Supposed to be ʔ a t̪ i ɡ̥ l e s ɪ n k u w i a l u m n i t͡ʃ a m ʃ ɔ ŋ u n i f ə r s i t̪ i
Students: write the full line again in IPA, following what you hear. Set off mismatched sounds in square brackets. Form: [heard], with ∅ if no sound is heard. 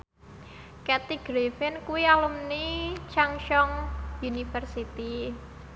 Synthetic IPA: [k] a t̪ i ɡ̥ [ɾ] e [f] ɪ n k u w i a l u m n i t͡ʃ a [ŋ] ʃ ɔ ŋ u n i f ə r s i t̪ i